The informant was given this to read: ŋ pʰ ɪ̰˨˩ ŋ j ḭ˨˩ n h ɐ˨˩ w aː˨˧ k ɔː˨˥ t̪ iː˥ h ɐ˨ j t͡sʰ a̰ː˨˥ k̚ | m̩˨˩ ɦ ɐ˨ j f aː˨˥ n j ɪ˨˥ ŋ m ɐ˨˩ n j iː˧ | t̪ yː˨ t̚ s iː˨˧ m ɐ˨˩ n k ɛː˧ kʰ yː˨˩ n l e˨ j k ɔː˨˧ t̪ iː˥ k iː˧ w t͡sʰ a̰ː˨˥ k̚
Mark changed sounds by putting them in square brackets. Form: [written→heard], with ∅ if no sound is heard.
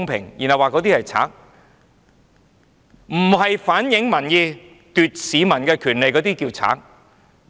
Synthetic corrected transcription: ŋ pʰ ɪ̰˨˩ ŋ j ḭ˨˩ n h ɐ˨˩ w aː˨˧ k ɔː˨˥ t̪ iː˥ h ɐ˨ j t͡sʰ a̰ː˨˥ k̚ | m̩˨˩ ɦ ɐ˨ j f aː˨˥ n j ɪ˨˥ ŋ m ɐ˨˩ n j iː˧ | t̪ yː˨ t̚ s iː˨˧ m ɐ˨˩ n k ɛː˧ kʰ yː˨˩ n l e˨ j k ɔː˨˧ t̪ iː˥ k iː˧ w t͡sʰ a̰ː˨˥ k̚